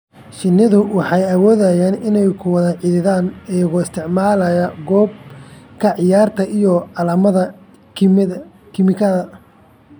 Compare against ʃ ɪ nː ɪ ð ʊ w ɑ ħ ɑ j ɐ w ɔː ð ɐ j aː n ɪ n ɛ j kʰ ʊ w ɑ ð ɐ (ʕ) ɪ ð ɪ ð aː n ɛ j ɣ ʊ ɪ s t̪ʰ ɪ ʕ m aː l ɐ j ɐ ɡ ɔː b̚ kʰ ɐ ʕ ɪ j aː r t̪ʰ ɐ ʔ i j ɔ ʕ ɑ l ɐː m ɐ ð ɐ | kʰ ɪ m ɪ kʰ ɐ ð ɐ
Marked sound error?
no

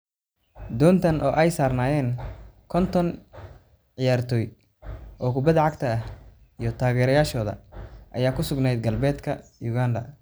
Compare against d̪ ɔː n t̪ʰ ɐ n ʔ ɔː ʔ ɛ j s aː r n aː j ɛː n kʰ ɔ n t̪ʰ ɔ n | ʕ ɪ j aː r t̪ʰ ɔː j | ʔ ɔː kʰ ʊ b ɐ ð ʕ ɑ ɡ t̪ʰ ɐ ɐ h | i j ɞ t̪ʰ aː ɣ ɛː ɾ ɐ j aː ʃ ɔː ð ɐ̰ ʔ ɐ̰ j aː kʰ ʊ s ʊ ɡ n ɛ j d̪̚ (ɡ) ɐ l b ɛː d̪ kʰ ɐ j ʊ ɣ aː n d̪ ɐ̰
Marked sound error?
no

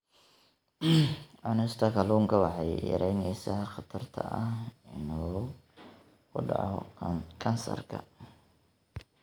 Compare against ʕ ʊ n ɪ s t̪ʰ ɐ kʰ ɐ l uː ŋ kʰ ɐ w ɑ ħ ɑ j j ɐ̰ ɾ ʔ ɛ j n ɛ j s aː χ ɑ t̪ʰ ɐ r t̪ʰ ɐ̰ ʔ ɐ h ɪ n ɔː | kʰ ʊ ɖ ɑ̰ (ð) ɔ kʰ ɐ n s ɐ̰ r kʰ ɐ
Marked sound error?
yes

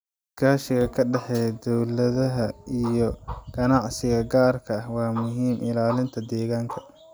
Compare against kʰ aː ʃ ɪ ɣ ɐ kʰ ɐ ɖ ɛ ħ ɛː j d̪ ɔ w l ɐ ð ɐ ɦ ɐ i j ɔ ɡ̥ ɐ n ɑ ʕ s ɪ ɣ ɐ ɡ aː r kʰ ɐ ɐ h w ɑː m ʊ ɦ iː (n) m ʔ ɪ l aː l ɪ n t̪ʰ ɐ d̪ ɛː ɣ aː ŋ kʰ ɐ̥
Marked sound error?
yes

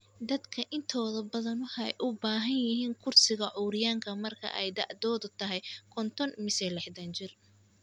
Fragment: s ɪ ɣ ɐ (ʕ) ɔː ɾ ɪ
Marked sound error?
no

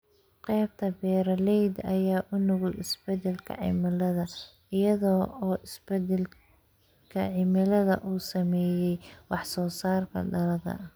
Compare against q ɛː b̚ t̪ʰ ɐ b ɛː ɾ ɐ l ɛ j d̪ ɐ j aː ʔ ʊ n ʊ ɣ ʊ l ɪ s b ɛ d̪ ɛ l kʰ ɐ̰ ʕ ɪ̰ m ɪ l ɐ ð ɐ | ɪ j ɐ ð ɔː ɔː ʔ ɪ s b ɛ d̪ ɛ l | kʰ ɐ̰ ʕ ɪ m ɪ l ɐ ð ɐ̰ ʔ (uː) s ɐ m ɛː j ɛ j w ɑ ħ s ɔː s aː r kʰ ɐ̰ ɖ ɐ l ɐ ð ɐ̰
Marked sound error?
no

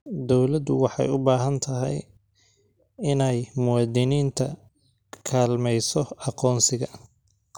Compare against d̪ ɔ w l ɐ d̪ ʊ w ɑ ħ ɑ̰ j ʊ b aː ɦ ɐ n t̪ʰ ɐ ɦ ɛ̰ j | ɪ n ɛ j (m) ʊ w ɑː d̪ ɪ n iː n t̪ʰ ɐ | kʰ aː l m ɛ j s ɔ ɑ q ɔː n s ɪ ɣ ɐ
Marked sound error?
no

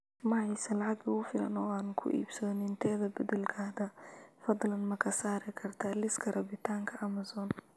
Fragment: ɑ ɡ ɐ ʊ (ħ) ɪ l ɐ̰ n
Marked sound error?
yes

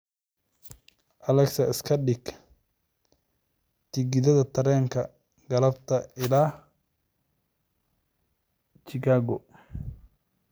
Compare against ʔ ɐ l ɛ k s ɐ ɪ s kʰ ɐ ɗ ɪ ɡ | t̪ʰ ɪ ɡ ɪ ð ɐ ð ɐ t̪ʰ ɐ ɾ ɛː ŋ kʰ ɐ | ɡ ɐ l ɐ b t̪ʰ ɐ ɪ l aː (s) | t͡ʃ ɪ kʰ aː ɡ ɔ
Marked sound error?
yes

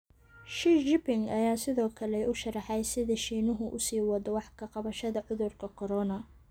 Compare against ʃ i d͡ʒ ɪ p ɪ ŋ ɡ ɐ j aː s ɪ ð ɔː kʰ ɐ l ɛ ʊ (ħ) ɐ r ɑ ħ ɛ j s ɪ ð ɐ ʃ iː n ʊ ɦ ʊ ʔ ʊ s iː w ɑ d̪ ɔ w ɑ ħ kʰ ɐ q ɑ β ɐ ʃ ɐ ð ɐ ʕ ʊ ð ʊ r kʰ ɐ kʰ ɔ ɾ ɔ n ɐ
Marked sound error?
yes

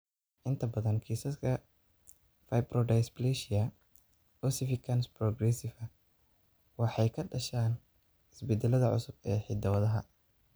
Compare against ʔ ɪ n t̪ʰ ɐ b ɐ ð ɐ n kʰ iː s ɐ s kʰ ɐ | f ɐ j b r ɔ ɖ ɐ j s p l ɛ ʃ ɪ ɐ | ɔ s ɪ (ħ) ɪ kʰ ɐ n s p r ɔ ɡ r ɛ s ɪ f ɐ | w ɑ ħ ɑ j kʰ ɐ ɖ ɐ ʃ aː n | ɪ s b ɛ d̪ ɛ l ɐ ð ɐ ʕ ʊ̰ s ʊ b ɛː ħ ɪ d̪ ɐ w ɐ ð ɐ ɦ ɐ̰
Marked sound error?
yes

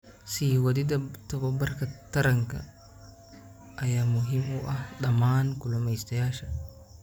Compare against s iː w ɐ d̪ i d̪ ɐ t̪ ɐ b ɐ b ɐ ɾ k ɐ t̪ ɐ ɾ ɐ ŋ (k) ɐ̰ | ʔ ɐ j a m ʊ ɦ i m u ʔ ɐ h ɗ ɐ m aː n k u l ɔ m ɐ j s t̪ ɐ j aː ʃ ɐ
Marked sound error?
no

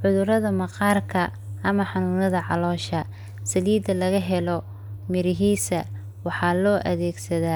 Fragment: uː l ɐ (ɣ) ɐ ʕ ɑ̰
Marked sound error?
yes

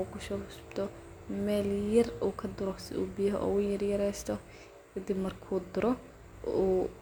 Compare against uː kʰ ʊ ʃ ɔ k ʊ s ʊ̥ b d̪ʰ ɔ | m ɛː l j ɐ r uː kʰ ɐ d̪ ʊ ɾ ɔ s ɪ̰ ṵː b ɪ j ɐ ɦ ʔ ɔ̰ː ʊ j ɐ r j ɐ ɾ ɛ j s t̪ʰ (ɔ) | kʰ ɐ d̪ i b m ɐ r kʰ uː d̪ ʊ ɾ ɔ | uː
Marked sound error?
no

